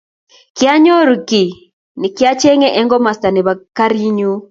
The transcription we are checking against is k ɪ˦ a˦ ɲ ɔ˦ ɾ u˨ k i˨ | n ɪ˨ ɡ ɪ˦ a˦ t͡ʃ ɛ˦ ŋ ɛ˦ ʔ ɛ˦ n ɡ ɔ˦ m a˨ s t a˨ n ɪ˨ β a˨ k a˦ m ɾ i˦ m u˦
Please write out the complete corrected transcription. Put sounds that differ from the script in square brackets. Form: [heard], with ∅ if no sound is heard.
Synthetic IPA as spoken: k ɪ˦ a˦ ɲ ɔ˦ ɾ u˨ k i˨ | n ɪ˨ [k] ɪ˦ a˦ t͡ʃ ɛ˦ ŋ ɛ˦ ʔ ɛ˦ [ŋ] ɡ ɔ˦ m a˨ s t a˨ n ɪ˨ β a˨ k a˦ [∅] ɾ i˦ [ɲ] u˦